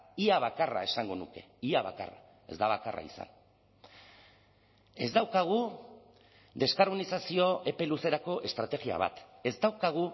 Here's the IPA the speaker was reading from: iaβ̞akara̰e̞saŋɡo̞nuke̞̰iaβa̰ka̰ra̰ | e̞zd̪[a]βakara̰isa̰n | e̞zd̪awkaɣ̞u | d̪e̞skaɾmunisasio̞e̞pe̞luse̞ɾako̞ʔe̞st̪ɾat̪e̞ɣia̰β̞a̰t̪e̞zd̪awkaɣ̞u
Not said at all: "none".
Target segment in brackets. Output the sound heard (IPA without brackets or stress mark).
a